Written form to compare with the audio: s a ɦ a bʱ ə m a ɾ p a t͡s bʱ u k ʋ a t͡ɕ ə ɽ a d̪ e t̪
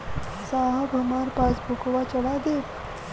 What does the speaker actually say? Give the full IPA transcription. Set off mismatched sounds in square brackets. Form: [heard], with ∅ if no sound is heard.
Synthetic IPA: s a ɦ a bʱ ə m a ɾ p a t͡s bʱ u k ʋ a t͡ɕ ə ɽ a d̪ e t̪